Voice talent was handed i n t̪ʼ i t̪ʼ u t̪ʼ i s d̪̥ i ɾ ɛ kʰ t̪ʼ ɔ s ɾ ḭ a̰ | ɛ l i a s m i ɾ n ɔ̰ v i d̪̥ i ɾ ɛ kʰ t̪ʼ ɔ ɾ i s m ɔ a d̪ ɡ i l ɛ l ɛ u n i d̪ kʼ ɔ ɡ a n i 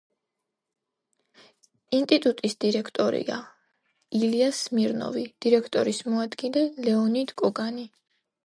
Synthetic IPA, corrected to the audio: i n t̪ʼ i t̪ʼ u t̪ʼ i s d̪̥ i ɾ ɛ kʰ t̪ʼ ɔ ɾ ḭ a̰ | i l i a s m i ɾ n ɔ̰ v i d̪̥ i ɾ ɛ kʰ t̪ʼ ɔ ɾ i s m ɔ a d̪ ɡ i l ɛ l ɛ ɔ n i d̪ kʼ ɔ ɡ a n i